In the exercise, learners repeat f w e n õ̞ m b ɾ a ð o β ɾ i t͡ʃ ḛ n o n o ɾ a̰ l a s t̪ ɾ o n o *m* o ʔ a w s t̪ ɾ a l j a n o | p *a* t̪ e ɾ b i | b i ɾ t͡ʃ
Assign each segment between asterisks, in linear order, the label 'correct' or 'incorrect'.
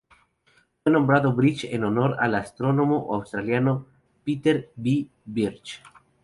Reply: correct, incorrect: i

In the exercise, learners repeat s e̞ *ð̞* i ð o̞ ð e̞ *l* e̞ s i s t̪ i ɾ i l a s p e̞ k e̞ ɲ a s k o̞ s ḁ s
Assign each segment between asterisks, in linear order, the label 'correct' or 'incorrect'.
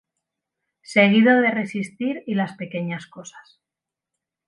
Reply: incorrect: ɣ̞, incorrect: r

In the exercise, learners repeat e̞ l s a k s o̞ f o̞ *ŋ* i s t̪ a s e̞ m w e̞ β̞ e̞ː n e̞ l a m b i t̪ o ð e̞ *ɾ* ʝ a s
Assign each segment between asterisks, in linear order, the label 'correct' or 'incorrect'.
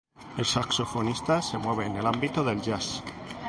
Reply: incorrect: n, incorrect: l

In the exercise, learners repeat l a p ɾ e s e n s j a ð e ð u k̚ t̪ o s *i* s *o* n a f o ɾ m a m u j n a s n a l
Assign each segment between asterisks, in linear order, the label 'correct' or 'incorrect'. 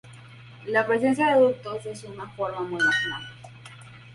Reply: incorrect: e, incorrect: u

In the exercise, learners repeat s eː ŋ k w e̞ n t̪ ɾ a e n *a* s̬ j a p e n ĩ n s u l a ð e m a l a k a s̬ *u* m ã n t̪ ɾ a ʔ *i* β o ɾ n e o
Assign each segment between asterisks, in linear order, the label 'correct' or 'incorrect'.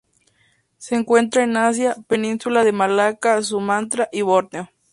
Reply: correct, correct, correct

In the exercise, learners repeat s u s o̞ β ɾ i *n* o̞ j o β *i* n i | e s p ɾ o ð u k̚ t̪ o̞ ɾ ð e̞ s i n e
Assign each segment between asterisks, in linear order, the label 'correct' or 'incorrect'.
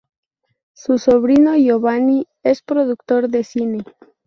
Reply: correct, incorrect: a

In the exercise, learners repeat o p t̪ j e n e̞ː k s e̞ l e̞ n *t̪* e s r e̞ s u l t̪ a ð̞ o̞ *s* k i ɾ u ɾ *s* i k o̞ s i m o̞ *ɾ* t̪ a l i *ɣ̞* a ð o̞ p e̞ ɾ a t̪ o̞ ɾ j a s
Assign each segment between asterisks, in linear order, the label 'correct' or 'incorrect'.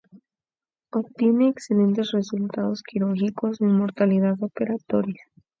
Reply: correct, correct, incorrect: x, correct, incorrect: ð̞

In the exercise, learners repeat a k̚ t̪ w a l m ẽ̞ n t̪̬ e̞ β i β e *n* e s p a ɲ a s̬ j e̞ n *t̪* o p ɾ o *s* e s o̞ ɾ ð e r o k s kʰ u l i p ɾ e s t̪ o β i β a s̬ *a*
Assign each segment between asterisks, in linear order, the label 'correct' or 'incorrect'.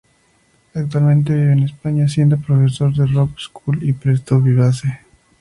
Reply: correct, incorrect: d̪, incorrect: f, incorrect: e

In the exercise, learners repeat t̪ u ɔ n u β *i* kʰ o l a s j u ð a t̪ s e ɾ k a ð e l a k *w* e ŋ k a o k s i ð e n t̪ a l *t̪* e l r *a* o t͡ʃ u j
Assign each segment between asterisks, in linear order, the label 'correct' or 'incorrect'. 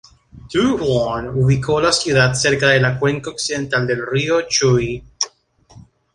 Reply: correct, correct, incorrect: d̪, incorrect: i

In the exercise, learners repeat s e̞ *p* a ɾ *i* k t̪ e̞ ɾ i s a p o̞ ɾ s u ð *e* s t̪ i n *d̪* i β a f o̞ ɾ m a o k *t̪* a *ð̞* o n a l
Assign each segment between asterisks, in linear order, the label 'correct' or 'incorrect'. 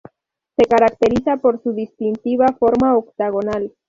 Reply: incorrect: k, incorrect: a, incorrect: i, incorrect: t̪, correct, incorrect: ɣ̞

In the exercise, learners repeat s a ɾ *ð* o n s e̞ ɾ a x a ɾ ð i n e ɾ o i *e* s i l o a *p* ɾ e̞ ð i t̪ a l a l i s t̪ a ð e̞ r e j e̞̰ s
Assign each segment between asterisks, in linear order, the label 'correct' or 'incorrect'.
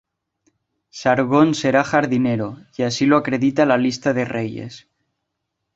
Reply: incorrect: ɣ, incorrect: a, incorrect: k

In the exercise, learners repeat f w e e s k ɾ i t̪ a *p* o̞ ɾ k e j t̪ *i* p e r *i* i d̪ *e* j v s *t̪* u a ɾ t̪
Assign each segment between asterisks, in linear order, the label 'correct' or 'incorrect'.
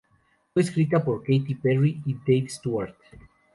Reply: correct, correct, correct, correct, correct

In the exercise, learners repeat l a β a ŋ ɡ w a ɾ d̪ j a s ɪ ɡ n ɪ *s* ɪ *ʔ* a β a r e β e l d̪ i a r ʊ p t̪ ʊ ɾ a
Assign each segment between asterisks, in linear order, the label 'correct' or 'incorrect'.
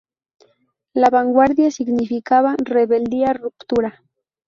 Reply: incorrect: f, incorrect: k

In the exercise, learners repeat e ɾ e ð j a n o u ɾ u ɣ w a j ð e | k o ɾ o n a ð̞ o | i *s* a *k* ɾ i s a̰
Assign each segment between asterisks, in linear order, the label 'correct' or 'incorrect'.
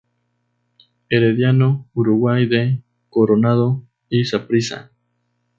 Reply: correct, incorrect: p

